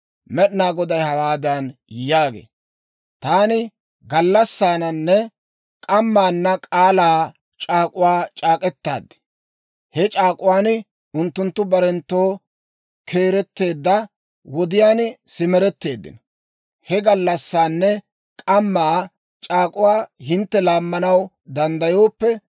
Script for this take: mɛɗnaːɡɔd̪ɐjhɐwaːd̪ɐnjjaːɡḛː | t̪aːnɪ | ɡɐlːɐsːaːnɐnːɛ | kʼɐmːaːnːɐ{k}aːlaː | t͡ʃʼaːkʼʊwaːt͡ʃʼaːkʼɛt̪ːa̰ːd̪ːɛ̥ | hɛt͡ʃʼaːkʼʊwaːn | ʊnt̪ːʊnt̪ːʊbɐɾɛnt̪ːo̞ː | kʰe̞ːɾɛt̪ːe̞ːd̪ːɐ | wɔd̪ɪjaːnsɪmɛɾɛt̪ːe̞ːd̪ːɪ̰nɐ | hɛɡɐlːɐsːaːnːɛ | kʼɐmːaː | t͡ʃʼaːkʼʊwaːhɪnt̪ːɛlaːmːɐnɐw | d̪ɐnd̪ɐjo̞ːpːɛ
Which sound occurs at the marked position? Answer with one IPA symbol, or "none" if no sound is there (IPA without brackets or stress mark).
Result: kʼ